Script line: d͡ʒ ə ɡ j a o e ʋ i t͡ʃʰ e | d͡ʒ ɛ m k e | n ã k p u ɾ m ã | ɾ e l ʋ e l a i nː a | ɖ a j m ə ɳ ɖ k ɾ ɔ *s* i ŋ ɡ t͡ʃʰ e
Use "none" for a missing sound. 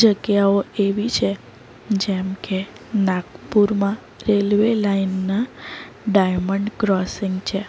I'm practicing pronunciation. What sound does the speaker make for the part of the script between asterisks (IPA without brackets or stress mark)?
s